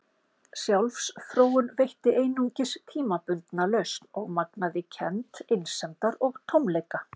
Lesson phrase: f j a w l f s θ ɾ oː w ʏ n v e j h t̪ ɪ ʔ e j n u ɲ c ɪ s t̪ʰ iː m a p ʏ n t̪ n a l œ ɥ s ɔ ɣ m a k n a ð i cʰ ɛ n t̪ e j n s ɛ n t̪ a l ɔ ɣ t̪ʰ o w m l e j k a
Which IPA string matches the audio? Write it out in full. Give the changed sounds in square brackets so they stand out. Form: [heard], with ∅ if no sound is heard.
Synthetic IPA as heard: [s] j a w l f s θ ɾ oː w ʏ n v e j h t̪ ɪ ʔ e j n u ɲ c ɪ s t̪ʰ iː m a p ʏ n t̪ n a l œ ɥ s ɔ ɣ m a k n a ð [ɪ] cʰ ɛ n t̪ e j n s ɛ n t̪ a [ɾ] ɔ ɣ t̪ʰ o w m l e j k a